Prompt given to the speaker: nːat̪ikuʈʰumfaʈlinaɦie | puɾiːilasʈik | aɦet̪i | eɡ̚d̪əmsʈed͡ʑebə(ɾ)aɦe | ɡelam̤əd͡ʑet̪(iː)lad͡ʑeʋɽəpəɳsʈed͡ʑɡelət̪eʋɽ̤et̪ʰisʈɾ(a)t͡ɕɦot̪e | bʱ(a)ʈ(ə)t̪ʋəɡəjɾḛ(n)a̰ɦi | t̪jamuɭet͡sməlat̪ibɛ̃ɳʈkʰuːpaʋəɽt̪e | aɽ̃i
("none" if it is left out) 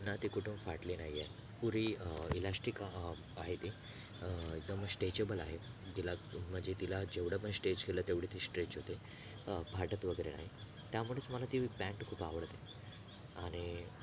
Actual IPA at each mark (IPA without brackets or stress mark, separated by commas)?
l, i, e, a, ə, n